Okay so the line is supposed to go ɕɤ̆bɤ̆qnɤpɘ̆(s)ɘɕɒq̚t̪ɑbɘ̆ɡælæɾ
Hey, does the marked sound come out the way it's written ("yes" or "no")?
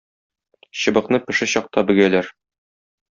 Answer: no